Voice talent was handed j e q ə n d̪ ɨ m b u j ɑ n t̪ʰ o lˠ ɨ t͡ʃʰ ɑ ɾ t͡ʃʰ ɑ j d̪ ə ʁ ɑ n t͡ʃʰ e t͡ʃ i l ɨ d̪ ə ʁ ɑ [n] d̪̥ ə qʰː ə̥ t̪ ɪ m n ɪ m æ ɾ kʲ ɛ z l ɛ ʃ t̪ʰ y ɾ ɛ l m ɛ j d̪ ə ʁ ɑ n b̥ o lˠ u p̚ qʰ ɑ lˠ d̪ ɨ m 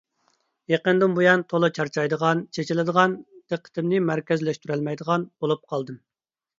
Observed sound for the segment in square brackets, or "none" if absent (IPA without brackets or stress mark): n